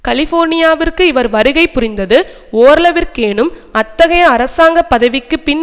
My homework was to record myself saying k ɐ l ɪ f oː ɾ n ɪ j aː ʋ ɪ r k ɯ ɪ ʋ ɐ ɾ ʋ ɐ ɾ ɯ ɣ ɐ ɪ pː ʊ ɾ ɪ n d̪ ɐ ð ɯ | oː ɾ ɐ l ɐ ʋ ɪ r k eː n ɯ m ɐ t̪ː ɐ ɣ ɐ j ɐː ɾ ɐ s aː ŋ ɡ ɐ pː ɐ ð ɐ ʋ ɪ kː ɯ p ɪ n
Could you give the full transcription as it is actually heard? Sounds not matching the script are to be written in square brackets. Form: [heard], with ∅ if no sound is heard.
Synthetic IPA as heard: k ɐ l ɪ f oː ɾ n ɪ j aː ʋ ɪ r k ɯ ɪ ʋ ɐ ɾ ʋ ɐ ɾ ɯ ɣ ɐ ɪ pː ʊ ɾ ɪ n d̪ ɐ ð ɯ | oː ɾ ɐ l ɐ ʋ ɪ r k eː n ɯ m ɐ t̪ː ɐ ɣ ɐ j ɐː ɾ ɐ s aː ŋ ɡ ɐ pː ɐ ð ɐ ʋ ɪ kː ɯ p ɪ n